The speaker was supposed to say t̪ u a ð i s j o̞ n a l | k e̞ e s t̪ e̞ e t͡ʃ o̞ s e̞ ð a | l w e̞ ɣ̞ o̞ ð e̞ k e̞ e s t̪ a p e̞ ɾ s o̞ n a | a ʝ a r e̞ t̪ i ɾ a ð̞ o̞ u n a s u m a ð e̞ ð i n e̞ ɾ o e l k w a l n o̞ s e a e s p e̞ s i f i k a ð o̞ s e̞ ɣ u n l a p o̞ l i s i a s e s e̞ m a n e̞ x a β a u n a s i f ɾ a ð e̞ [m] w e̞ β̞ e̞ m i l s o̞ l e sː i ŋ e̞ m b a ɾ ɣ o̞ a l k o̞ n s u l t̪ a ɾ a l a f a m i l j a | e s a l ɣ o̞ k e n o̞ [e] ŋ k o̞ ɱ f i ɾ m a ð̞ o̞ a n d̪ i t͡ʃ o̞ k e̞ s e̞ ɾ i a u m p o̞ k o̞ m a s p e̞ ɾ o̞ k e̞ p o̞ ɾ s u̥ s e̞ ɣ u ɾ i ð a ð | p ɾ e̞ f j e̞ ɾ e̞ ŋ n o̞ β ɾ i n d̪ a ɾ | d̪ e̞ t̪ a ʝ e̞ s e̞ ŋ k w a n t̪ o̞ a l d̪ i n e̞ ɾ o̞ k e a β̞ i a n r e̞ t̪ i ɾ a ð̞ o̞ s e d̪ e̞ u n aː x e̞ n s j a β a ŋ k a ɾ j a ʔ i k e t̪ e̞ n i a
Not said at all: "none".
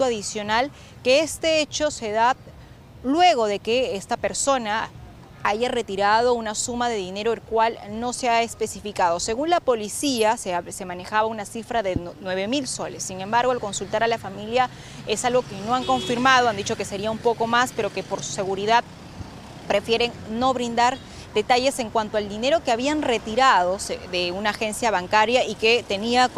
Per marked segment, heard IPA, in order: n, a

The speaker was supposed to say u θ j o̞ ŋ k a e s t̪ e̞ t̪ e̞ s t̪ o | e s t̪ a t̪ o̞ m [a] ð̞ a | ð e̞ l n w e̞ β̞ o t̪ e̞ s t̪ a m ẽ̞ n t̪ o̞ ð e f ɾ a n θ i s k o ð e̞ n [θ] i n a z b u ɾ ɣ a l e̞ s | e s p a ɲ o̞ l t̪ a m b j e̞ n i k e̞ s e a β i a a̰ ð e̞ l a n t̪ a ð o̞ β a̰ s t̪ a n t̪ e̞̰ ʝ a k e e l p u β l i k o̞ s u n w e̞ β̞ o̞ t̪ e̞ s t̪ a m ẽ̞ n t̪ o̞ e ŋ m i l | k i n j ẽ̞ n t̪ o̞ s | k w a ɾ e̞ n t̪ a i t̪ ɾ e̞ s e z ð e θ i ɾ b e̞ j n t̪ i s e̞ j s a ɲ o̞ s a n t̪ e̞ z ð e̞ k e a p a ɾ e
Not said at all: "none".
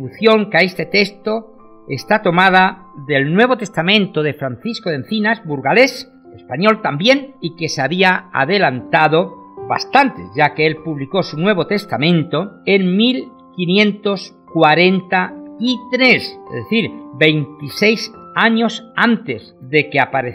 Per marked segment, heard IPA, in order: a, θ

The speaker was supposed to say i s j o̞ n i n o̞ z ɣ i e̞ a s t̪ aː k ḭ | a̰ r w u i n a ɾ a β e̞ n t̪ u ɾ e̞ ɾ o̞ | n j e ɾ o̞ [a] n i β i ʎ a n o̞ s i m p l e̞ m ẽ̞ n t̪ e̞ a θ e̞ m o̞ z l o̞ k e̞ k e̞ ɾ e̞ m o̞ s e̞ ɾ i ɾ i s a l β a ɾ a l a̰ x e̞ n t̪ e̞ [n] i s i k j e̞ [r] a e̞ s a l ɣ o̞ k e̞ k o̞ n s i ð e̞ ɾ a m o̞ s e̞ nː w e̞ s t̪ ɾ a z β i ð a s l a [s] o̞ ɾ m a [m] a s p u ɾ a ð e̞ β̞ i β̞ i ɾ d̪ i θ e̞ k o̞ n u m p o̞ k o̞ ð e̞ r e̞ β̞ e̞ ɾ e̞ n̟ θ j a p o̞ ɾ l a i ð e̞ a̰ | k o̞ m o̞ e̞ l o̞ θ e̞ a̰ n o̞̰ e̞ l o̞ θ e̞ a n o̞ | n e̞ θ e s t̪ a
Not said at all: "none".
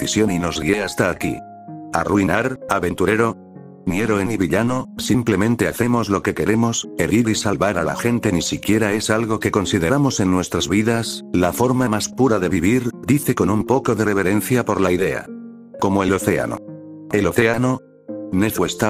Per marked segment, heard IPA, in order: e, n, ɾ, f, m

